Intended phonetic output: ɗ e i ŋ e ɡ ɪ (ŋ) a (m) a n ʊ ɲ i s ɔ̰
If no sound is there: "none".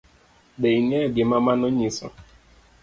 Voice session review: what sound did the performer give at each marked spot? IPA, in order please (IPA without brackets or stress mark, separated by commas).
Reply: m, m